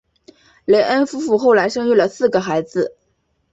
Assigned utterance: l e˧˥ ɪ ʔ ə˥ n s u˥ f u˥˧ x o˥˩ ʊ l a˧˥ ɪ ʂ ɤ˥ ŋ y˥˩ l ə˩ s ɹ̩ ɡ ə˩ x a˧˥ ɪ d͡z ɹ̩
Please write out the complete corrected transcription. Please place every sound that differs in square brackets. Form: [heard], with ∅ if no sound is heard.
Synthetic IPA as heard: l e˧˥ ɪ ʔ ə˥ n [f] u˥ f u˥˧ x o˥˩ ʊ l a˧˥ ɪ ʂ ɤ˥ ŋ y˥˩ l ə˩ s ɹ̩ ɡ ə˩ x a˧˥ ɪ d͡z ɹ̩